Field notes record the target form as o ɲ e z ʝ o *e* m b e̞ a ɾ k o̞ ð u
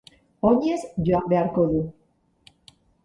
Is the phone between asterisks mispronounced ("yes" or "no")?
yes